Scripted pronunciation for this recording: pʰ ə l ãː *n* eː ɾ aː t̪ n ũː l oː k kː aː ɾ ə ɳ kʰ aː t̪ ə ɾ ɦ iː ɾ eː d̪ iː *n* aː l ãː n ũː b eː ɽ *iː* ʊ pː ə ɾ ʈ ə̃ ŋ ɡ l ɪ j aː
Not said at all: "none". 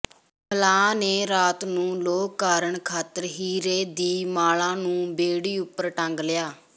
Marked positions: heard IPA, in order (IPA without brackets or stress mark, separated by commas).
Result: n, m, iː